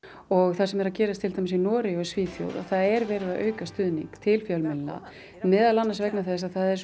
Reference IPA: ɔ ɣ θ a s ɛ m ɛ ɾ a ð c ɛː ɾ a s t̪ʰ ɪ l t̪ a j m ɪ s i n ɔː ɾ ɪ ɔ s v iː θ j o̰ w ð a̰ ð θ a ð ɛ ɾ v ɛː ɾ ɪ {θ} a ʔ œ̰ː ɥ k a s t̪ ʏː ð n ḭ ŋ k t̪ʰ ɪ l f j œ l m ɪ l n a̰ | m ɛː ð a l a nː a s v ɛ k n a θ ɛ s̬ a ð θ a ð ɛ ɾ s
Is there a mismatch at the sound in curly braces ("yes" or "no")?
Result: yes